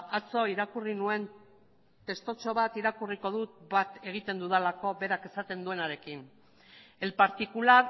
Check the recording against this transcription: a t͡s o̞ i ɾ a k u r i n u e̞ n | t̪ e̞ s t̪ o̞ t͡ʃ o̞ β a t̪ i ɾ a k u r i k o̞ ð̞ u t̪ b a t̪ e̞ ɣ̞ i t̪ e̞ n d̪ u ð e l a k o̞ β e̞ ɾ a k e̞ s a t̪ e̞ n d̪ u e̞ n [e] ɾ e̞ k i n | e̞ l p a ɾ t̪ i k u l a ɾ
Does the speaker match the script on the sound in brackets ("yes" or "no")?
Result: no